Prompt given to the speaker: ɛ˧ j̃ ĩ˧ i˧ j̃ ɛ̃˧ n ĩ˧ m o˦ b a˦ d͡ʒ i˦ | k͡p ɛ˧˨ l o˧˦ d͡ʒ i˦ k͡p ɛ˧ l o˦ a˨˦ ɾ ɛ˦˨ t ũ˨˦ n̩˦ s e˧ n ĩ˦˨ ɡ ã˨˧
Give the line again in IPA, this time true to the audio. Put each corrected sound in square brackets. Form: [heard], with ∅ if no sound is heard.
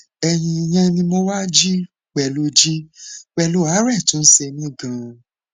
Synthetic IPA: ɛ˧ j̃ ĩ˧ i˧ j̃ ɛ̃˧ n ĩ˧ m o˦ [w] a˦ d͡ʒ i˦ | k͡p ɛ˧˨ l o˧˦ d͡ʒ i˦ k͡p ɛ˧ l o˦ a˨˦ ɾ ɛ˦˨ t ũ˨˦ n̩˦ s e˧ n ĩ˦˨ ɡ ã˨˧